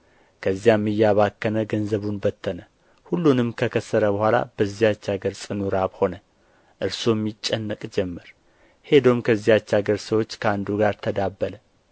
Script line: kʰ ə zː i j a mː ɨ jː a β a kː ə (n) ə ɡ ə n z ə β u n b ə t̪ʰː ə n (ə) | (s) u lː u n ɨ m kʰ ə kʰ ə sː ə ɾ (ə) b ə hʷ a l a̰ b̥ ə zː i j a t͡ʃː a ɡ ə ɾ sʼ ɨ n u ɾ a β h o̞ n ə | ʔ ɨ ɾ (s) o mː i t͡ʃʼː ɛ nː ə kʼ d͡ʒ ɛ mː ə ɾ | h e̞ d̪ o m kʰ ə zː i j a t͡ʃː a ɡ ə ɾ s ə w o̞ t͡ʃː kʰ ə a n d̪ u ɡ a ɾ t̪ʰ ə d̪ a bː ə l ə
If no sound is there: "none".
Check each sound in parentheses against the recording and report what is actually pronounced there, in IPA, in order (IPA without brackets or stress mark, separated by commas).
n, ə, h, ə, s